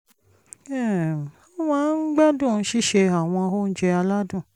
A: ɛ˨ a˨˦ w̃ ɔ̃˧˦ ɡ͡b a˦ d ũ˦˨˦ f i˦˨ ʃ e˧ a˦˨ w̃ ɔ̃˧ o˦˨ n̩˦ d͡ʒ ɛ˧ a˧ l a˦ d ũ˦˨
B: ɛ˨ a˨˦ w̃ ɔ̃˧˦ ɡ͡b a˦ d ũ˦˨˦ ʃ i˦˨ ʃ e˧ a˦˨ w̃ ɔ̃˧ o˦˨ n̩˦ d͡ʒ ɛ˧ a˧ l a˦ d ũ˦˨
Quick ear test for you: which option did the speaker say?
B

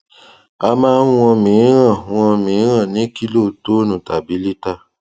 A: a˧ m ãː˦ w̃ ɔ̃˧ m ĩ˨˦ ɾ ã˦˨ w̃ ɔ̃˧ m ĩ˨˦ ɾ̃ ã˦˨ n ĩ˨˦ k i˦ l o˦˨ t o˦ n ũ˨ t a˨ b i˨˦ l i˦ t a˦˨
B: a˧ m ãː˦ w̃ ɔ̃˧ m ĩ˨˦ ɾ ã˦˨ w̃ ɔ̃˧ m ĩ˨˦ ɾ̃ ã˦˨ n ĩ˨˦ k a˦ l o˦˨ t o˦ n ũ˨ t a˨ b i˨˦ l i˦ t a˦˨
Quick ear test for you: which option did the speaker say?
A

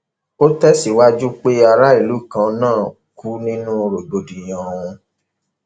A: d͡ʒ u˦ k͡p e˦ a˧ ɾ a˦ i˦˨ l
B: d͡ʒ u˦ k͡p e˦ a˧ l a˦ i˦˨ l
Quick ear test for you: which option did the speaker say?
A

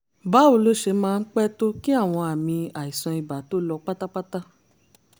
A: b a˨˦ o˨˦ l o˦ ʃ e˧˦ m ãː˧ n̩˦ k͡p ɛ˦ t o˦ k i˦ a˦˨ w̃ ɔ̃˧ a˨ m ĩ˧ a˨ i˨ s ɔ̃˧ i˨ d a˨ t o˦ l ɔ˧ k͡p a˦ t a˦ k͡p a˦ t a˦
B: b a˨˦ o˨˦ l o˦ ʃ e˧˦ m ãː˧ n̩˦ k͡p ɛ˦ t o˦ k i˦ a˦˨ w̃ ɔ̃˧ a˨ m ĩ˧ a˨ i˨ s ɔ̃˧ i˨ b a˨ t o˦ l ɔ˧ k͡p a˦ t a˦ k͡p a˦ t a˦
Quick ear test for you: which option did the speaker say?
B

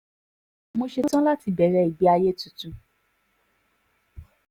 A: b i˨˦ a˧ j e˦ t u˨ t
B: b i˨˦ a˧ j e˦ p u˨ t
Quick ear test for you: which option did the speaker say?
A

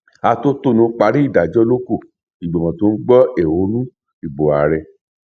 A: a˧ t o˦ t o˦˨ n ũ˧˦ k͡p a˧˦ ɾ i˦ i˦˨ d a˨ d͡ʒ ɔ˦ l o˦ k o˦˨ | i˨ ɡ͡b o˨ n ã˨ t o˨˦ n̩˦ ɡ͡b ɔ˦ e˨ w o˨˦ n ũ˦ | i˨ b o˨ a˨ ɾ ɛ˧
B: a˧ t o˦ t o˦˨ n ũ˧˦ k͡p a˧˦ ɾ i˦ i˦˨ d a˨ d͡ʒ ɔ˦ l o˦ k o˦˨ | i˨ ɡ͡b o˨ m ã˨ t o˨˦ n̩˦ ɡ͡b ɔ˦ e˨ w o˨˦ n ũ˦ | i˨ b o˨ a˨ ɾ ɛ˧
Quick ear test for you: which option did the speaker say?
B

